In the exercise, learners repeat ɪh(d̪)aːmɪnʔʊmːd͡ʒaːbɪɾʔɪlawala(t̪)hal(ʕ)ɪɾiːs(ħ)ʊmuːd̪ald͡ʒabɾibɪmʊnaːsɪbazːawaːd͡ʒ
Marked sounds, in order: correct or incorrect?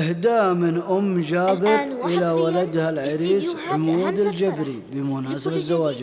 correct, incorrect: d̪, correct, correct

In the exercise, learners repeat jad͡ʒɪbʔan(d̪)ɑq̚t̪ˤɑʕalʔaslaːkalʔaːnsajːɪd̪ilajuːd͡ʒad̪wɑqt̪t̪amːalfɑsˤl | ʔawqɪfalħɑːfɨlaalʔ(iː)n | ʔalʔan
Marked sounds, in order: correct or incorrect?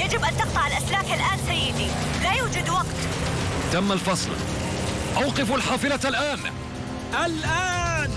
incorrect: t̪, incorrect: aː

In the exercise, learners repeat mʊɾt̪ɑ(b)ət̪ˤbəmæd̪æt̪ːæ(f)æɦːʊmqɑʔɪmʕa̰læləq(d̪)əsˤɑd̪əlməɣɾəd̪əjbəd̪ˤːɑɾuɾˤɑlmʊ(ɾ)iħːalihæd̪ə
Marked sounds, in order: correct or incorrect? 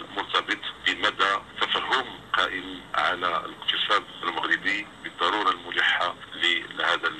correct, correct, incorrect: t̪, incorrect: l

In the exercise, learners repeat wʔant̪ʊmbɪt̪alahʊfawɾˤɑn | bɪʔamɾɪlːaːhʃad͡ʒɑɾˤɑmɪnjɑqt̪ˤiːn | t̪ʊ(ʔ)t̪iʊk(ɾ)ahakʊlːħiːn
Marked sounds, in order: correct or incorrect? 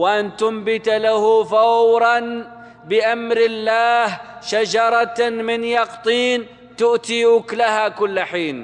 correct, incorrect: l

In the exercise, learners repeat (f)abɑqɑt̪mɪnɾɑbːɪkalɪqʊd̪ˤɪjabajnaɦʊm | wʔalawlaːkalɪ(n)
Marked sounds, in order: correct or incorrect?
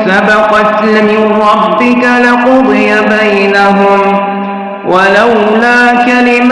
incorrect: s, incorrect: m

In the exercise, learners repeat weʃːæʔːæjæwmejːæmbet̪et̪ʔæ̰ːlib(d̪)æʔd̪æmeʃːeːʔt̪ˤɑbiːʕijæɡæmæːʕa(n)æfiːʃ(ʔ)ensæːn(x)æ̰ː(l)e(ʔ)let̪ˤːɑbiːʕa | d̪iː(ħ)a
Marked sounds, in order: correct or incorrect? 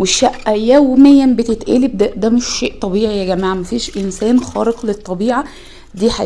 correct, incorrect: m, correct, correct, incorrect: ɾ, incorrect: q, correct

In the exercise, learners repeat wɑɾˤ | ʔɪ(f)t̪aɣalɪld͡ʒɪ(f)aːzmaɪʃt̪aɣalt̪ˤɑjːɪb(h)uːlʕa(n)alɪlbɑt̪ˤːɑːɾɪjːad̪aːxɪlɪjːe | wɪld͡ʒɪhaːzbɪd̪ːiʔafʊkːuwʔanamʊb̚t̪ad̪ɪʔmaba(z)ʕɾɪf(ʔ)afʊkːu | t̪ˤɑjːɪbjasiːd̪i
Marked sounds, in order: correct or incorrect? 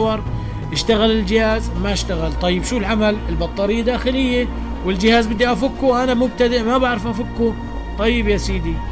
incorrect: ʃ, incorrect: h, incorrect: ʃ, incorrect: m, incorrect: none, correct

